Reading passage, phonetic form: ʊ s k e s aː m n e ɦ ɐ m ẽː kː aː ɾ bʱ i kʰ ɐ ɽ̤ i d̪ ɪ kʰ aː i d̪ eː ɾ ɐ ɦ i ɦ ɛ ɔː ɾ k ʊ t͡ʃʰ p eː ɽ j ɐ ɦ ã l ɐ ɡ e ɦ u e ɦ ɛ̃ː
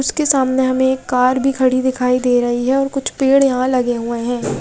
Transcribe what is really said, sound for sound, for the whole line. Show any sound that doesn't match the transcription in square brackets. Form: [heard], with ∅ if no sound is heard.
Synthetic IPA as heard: ʊ s k e s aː m n e ɦ ɐ m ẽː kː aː ɾ bʱ i kʰ ɐ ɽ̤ i d̪ ɪ kʰ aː i d̪ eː ɾ ɐ ɦ i ɦ ɛ ɔː ɾ k ʊ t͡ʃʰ p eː ɽ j ɐ ɦ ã l ɐ ɡ e ɦ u e ɦ ɛ̃ː